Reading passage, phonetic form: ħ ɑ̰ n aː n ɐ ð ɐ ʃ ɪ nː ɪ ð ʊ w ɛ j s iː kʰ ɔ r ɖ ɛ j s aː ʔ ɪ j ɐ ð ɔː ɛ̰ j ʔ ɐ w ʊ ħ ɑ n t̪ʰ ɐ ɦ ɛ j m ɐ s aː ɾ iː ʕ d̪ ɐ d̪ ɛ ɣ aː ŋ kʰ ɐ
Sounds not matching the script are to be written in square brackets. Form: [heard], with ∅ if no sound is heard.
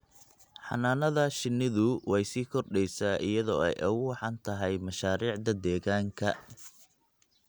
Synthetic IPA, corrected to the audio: ħ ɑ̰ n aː n ɐ ð ɐ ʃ ɪ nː ɪ ð ʊ w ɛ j s iː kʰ ɔ r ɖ ɛ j s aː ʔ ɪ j ɐ ð ɔː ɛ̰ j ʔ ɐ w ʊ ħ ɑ n t̪ʰ ɐ ɦ ɛ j m ɐ [ʃ] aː ɾ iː ʕ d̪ ɐ d̪ [ɛː] ɣ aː ŋ kʰ ɐ